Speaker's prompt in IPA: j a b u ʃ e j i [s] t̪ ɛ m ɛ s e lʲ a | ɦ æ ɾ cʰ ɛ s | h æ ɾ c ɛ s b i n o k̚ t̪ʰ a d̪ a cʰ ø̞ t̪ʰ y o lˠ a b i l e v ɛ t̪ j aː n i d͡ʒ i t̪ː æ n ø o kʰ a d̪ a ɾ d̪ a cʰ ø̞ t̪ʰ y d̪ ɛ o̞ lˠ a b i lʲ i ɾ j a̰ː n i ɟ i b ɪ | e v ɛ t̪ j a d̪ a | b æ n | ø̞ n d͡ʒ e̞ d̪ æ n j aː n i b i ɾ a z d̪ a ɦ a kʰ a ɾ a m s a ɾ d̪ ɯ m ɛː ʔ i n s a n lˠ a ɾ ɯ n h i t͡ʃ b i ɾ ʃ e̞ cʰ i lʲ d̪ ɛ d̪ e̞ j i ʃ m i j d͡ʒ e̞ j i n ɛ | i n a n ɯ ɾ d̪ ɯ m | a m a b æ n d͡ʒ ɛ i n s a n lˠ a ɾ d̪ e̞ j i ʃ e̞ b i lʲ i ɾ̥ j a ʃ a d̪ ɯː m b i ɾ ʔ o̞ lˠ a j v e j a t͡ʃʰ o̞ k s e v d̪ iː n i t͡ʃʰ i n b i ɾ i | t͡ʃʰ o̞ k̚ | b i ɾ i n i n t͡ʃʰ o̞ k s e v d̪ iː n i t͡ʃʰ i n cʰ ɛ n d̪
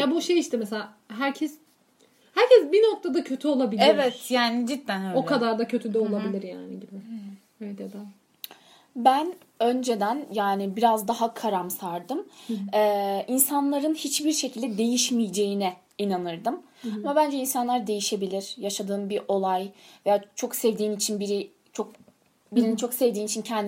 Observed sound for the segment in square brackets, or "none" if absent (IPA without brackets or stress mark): ʃ